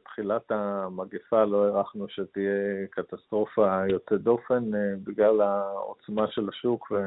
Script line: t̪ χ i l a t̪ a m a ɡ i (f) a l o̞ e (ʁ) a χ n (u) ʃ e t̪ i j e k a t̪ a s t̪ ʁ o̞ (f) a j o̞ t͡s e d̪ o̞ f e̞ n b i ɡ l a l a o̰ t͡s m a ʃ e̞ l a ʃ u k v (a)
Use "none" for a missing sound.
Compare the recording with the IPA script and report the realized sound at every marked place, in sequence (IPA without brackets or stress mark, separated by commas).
f, ʁ, u, f, e